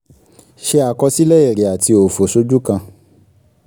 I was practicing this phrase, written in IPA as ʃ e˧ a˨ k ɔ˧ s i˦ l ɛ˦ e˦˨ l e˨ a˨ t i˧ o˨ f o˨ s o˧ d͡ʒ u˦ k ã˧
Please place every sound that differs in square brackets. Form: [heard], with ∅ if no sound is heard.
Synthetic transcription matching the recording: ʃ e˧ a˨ k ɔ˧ s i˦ l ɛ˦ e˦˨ [ɾ] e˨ a˨ t i˧ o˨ f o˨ s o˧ d͡ʒ u˦ k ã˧